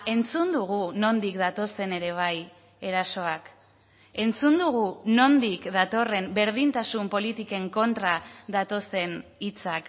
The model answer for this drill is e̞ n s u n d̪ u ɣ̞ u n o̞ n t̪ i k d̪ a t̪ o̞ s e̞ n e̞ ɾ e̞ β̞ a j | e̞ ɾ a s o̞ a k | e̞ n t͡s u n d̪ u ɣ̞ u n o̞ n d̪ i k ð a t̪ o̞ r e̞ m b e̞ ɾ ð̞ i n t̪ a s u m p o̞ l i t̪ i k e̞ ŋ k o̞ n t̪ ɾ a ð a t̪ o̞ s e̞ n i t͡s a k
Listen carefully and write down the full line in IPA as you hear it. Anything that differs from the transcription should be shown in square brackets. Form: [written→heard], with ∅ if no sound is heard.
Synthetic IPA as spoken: e̞ n [s→t͡s] u n d̪ u ɣ̞ u n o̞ n [t̪→d̪] i k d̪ a t̪ o̞ s e̞ n e̞ ɾ e̞ β̞ a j | e̞ ɾ a s o̞ a k | e̞ n t͡s u n d̪ u ɣ̞ u n o̞ n d̪ i k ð a t̪ o̞ r e̞ m b e̞ ɾ ð̞ i n t̪ a s u m p o̞ l i t̪ i k e̞ ŋ k o̞ n t̪ ɾ a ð a t̪ o̞ s e̞ n i t͡s a k